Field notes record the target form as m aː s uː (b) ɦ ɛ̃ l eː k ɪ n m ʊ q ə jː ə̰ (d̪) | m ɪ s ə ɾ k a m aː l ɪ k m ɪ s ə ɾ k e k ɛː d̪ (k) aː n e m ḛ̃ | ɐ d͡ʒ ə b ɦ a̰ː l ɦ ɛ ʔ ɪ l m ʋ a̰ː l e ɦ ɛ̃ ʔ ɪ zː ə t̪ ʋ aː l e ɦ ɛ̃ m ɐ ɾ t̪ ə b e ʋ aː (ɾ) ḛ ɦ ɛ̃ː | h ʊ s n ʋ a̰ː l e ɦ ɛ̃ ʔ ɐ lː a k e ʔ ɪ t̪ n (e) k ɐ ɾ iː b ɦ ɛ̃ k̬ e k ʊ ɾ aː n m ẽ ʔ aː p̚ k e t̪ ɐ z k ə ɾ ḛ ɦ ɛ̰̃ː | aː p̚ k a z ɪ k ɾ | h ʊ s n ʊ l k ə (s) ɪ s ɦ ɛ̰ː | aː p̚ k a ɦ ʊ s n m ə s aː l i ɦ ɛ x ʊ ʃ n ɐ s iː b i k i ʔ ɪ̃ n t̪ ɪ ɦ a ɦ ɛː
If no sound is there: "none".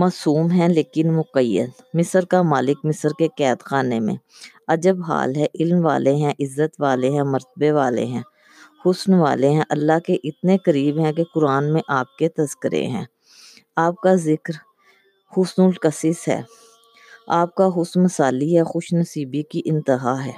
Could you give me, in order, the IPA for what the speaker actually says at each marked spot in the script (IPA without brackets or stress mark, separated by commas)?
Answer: m, d̪, x, l, e, s